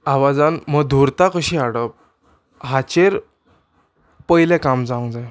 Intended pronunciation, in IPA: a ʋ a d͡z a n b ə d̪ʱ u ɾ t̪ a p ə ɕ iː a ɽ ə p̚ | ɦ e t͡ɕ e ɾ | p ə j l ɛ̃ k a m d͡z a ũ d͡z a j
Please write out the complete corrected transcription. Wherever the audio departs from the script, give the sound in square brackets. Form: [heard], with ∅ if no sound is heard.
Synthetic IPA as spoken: a ʋ a d͡z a n [m] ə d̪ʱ u ɾ t̪ a [k] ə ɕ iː a ɽ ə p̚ | ɦ [a] t͡ɕ e ɾ | p ə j l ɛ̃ k a m d͡z a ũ d͡z a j